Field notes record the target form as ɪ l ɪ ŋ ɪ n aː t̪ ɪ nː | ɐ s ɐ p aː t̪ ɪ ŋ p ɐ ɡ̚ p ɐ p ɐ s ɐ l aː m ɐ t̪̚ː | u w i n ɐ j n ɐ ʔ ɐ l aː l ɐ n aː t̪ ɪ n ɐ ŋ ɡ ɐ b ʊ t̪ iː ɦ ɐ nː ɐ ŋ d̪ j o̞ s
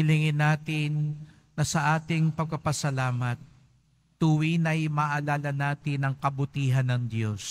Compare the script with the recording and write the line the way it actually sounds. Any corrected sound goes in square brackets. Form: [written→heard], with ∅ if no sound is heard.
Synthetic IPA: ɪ l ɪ ŋ ɪ n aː t̪ ɪ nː | ɐ s ɐ [p→ʔ] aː t̪ ɪ ŋ p ɐ ɡ̚ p ɐ p ɐ s ɐ l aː m ɐ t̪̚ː | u w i n ɐ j [n→m] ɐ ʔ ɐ l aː l ɐ n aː t̪ ɪ n ɐ ŋ [ɡ→k] ɐ b ʊ t̪ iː ɦ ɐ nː ɐ ŋ d̪ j o̞ s